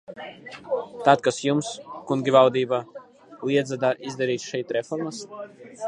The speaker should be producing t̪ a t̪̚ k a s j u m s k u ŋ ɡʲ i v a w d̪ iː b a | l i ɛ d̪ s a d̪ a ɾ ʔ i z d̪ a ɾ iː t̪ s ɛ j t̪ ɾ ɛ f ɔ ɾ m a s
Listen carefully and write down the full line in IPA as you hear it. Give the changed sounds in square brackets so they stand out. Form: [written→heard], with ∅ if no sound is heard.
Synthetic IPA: t̪ a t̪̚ k a s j u m s k u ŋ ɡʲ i v a w d̪ iː b a | l i ɛ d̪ [s→z] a d̪ a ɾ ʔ i z d̪ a ɾ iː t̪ [s→ʃ] ɛ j t̪ ɾ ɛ f ɔ ɾ m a s